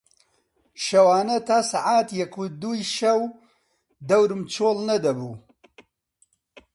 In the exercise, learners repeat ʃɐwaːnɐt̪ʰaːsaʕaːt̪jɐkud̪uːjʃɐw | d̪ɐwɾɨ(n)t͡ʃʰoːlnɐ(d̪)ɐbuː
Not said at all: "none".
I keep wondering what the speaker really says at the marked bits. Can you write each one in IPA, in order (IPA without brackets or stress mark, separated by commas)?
m, d̪